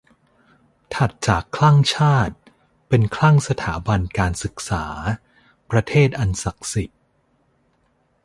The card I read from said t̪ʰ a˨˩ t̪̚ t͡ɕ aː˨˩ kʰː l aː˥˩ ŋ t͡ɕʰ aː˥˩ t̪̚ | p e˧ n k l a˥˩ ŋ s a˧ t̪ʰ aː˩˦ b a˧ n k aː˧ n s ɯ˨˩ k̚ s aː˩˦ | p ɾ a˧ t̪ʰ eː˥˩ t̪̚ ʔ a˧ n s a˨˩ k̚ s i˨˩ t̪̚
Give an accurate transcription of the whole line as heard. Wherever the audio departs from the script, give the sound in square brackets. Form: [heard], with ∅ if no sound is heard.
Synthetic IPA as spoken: t̪ʰ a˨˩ t̪̚ t͡ɕ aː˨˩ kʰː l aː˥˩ ŋ t͡ɕʰ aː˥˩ t̪̚ | p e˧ n [kʰ] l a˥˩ ŋ s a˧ t̪ʰ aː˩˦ b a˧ n k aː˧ n s ɯ˨˩ k̚ s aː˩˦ | p ɾ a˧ t̪ʰ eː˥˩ t̪̚ ʔ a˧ n s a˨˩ k̚ s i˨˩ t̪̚